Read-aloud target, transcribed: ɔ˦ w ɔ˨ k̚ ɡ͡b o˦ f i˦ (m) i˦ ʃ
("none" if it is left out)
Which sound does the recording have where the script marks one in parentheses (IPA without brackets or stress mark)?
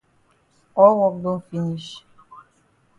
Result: n